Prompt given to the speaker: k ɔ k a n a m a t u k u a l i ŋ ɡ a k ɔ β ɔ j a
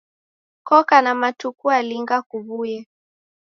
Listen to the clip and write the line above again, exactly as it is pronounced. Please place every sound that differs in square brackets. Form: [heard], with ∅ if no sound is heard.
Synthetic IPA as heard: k ɔ k a n a m a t u k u a l i ŋ ɡ a k [u] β [u] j [ɛ]